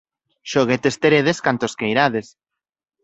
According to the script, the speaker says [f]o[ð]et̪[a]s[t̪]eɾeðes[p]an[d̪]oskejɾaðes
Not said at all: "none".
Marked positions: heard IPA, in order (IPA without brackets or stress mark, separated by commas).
ʃ, ɣ, e, t̪, k, t̪